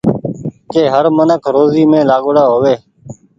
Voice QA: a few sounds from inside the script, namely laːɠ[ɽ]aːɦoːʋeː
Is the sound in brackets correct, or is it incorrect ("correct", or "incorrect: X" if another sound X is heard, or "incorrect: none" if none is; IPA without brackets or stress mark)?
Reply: correct